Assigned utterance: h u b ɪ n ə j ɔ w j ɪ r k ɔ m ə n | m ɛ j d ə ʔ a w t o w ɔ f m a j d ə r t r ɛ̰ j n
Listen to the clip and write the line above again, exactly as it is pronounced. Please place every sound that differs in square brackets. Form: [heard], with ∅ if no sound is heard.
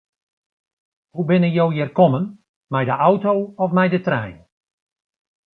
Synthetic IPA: h u b ɪ n ə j [o] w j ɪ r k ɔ m ə n | m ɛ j d ə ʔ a w t o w ɔ f m [ɛ] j d ə [∅] t r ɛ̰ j n